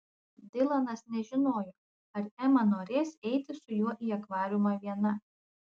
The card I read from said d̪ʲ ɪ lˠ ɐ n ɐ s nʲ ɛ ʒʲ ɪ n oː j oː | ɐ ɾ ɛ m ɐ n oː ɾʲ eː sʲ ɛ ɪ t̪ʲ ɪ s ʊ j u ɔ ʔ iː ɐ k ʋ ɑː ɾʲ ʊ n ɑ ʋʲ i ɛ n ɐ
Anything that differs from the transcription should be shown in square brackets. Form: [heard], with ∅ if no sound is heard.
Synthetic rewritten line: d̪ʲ ɪ lˠ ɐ n ɐ s nʲ ɛ ʒʲ ɪ n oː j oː | ɐ ɾ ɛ m ɐ n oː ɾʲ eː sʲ ɛ ɪ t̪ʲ ɪ s ʊ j u ɔ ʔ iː ɐ k ʋ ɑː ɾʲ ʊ [m] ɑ ʋʲ i ɛ n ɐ